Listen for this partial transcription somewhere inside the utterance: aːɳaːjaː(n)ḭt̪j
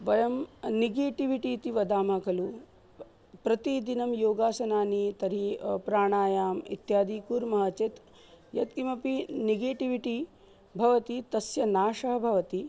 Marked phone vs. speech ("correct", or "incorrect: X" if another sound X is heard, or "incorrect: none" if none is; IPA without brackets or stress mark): incorrect: m